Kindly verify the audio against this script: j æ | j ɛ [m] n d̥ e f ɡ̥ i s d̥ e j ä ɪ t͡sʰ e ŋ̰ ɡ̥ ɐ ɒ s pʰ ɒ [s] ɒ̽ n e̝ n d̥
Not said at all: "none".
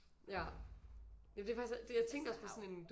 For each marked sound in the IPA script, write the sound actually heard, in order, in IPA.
m, s

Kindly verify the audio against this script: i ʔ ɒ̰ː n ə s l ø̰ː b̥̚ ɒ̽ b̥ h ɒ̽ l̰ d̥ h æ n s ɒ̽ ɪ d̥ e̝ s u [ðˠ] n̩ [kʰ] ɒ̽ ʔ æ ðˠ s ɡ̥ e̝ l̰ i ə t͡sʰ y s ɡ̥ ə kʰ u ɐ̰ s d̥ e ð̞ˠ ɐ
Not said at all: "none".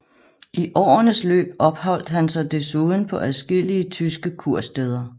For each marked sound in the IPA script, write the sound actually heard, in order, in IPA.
ðˠ, pʰ

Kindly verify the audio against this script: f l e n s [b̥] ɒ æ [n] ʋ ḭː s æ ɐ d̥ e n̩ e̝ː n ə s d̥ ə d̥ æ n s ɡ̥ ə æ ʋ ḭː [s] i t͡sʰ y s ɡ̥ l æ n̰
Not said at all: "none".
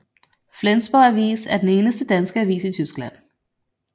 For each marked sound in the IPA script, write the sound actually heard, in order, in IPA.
b̥, none, s

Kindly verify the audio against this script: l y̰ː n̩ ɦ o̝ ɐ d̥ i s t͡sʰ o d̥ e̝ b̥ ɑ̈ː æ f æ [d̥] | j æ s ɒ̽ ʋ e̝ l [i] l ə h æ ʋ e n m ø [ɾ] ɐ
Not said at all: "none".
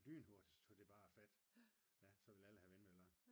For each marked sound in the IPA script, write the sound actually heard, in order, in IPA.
d̥, æ, l

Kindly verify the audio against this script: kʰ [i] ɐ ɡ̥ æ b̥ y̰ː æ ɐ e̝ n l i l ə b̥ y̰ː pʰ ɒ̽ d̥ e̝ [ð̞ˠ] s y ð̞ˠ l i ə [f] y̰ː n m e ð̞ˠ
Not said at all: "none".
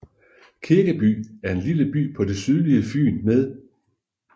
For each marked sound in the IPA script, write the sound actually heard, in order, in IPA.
i, none, f

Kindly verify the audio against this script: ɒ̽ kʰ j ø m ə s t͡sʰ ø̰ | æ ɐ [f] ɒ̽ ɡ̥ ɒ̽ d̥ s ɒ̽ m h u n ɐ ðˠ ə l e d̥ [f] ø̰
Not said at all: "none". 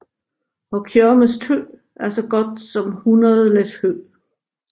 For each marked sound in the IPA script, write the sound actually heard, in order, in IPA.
s, h

